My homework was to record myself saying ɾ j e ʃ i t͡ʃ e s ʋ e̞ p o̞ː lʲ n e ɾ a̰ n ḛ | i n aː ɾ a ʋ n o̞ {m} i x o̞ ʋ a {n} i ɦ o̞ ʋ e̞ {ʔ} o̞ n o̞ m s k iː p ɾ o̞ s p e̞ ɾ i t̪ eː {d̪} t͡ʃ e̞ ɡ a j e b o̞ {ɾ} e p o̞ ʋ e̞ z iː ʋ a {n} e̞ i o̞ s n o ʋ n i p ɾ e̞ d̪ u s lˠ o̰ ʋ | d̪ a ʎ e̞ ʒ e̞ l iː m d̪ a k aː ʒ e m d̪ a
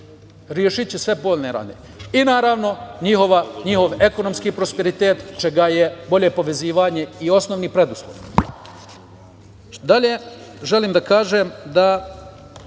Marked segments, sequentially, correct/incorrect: incorrect, incorrect, incorrect, incorrect, incorrect, incorrect

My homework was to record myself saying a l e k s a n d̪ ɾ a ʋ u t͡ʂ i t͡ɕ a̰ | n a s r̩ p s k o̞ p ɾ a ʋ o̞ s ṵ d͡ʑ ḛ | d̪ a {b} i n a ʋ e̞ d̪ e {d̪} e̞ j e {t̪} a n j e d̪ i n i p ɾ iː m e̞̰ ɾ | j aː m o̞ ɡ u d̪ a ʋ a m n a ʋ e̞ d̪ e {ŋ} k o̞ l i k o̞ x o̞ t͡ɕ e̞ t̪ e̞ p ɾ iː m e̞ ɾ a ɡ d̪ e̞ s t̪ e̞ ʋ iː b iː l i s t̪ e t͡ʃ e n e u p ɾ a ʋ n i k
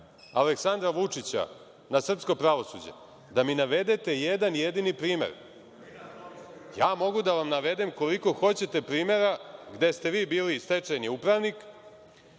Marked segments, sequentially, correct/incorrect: incorrect, incorrect, incorrect, incorrect

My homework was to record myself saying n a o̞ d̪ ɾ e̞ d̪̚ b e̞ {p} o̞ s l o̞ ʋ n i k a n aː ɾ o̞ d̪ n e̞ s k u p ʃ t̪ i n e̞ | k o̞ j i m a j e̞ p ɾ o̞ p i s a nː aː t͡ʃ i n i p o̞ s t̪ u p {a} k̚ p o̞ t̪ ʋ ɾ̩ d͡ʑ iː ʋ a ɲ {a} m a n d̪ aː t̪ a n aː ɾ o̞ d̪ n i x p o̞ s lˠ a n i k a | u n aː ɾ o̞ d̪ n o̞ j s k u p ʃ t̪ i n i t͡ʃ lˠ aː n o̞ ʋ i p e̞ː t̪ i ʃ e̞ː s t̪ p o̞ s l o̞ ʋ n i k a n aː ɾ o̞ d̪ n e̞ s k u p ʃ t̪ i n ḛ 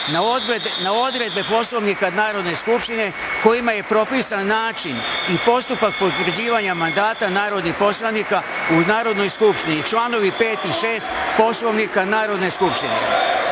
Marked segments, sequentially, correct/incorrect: correct, correct, correct

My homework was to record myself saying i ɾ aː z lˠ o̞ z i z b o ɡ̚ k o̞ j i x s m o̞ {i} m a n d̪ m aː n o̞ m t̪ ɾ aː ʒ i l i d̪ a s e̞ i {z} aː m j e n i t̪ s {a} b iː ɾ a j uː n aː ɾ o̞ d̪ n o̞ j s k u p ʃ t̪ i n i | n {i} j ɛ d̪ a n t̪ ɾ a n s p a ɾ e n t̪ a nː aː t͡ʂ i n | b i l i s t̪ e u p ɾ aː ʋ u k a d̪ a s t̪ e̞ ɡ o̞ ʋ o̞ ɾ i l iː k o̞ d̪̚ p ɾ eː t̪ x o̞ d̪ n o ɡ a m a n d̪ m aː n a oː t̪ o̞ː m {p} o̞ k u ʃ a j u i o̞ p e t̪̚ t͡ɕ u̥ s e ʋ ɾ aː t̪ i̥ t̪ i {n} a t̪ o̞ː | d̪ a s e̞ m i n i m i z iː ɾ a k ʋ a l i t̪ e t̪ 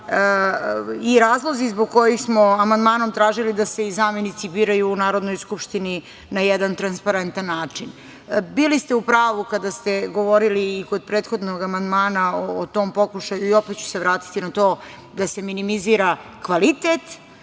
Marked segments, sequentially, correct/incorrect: incorrect, correct, incorrect, incorrect, correct, correct

